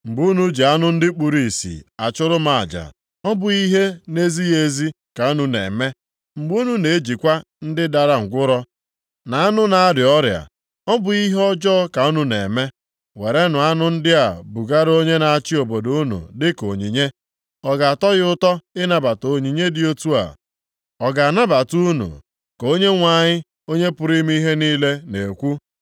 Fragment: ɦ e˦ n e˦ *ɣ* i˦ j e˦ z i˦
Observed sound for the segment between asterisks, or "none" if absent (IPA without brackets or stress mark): z